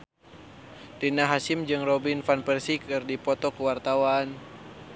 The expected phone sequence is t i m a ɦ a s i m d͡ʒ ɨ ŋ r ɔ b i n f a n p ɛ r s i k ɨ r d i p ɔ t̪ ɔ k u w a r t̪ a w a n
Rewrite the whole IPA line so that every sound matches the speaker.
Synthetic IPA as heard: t i n a ɦ a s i m d͡ʒ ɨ ŋ r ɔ b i n f a n p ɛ r s i k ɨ r d i p ɔ t̪ ɔ k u w a r t̪ a w a n

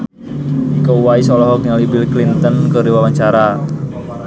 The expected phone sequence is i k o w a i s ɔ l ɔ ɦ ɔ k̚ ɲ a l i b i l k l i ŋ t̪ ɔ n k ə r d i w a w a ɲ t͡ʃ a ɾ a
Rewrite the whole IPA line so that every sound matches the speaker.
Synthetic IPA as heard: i k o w a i s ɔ l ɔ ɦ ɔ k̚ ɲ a l i b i l k l i n t̪ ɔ n k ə r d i w a w a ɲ t͡ʃ a ɾ a

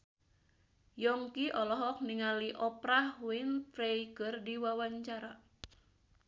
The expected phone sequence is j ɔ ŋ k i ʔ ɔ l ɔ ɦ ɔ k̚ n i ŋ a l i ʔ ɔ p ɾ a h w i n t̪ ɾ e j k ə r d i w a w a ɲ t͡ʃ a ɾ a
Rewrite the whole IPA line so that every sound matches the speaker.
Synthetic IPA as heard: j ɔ ŋ k i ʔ ɔ l ɔ ɦ ɔ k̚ n i ŋ a l i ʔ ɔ p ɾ a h w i n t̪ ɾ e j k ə r d i w a w a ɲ t͡ʃ a ɾ a

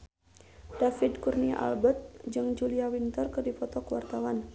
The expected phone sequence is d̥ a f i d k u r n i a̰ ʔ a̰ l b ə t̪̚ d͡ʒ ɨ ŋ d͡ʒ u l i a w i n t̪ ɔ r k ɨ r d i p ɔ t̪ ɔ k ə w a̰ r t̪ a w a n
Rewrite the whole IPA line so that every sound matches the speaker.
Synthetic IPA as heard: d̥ a f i d k u r n i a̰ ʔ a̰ l b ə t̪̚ d͡ʒ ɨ ŋ d͡ʒ u l i a w i n t̪ ɔ r k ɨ r d i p ɔ t̪ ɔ k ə w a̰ r t̪ a w a n

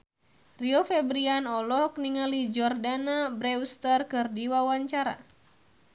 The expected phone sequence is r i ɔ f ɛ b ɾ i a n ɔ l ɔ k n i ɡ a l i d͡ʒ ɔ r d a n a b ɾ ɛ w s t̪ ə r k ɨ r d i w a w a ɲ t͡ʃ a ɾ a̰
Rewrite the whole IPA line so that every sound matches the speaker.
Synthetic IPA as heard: r i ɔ f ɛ b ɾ i a n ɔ l ɔ k n i ŋ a l i d͡ʒ ɔ r d a n a b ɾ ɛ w s t̪ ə r k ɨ r d i w a w a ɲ t͡ʃ a ɾ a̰

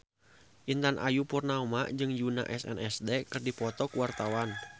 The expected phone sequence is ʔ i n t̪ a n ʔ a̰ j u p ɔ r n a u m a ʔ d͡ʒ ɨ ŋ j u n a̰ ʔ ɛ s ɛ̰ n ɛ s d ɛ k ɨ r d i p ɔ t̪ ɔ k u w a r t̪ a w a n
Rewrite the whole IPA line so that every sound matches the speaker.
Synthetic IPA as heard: ʔ i n t̪ a n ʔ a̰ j u p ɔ r n a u m a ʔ d͡ʒ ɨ ŋ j u n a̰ ʔ ɛ s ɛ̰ n ɛ s d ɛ k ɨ r d i p ɔ t̪ ɔ k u w a r t̪ a w a n

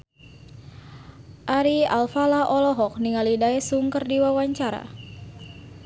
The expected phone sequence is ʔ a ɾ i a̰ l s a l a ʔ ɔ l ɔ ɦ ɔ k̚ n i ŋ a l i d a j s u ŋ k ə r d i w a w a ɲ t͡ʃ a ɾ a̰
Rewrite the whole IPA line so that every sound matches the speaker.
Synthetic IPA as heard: ʔ a ɾ i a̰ l f a l a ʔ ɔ l ɔ ɦ ɔ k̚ n i ŋ a l i d a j s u ŋ k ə r d i w a w a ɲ t͡ʃ a ɾ a̰

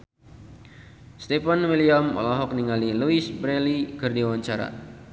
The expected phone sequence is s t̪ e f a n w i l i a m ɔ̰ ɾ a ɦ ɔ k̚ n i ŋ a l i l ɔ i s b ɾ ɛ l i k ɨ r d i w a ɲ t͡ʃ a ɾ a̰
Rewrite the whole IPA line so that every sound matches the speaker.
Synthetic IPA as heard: s t̪ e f a n w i l i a m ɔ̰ l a ɦ ɔ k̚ n i ŋ a l i l u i s b ɾ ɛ l i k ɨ r d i w a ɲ t͡ʃ a ɾ a̰

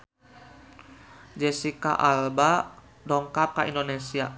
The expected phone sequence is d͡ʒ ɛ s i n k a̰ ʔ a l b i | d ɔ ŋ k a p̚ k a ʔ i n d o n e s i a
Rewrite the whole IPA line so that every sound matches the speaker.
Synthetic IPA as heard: d͡ʒ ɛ s i k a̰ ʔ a l b a | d ɔ ŋ k a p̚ k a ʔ i n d o n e s i a

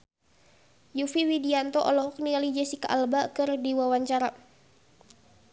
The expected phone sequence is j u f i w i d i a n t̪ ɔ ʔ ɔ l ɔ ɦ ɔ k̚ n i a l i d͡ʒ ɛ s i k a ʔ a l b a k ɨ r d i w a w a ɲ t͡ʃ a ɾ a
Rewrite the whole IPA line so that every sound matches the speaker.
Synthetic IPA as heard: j u f i w i d i a n t̪ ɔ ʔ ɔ l ɔ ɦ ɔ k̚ n i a l i d͡ʒ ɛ s i k a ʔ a l b a k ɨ r d i w a w a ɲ t͡ʃ a ɾ a

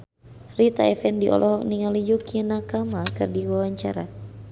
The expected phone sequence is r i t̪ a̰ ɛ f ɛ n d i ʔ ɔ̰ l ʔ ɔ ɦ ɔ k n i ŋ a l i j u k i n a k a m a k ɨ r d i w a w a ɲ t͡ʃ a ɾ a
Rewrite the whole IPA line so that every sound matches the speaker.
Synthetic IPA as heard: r i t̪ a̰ ɛ f ɛ n d i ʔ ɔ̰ l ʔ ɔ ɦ ɔ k n i ŋ a l i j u k i n a k a m a k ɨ r d i w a w a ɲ t͡ʃ a ɾ a

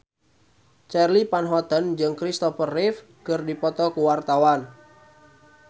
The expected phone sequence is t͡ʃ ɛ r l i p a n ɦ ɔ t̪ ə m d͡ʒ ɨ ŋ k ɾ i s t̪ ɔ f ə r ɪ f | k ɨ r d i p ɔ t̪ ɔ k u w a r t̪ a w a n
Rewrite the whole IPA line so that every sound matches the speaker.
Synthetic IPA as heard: t͡ʃ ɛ r l i p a n ɦ ɔ t̪ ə n d͡ʒ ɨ ŋ k ɾ i s t̪ ɔ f ə r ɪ f | k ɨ r d i p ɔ t̪ ɔ k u w a r t̪ a w a n

